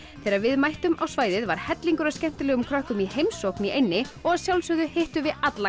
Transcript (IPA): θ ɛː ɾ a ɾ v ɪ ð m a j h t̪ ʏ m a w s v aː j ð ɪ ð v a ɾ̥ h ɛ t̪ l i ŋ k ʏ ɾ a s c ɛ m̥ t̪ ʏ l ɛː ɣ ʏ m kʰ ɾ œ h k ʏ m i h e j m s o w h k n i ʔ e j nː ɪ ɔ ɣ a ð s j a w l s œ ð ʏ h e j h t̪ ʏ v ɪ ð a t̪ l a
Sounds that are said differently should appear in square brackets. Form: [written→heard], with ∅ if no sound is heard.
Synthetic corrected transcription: θ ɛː ɾ a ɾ v ɪ ð m a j h t̪ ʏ m a w s v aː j ð ɪ ð v a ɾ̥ h ɛ t̪ l i ŋ k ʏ ɾ a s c ɛ m̥ t̪ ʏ l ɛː ɣ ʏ m kʰ ɾ œ h k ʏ m i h e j m s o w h k n i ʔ e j nː ɪ ɔ ɣ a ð s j a w l s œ ð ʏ h e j h t̪ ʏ v ɪ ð a t̪ l a

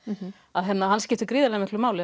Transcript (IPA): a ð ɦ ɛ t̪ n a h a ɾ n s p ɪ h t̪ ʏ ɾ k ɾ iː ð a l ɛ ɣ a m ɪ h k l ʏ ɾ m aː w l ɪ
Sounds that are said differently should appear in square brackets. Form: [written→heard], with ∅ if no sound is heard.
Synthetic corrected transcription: a ð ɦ ɛ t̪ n a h a [ɾ→∅] n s [p→c] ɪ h t̪ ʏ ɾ k ɾ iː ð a l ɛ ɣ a m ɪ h k l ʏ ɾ m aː w l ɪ

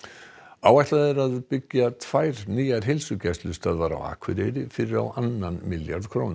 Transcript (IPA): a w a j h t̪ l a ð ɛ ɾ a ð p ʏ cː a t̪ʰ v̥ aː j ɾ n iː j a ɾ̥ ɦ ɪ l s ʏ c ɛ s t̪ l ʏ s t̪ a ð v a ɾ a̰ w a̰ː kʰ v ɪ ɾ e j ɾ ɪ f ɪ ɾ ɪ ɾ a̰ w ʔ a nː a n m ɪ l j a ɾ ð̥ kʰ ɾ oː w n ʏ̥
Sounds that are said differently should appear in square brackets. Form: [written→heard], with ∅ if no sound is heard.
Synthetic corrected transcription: a w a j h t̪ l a ð ɛ ɾ a ð p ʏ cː a t̪ʰ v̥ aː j ɾ n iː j a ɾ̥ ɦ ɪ l s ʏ c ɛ s t̪ l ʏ s t̪ a ð v a ɾ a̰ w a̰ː kʰ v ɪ ɾ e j ɾ ɪ f ɪ ɾ ɪ ɾ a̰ w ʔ a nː a n m ɪ l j a ɾ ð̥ kʰ ɾ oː w n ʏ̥

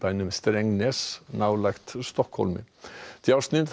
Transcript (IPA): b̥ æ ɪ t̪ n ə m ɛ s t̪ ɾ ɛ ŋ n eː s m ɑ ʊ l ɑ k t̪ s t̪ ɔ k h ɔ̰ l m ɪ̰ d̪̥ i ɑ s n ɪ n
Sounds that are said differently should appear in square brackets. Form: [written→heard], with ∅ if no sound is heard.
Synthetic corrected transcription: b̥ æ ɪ [t̪→∅] n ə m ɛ s t̪ ɾ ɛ ŋ n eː s [m→n] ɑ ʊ l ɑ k t̪ s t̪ ɔ k h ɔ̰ l m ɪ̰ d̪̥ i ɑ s n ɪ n

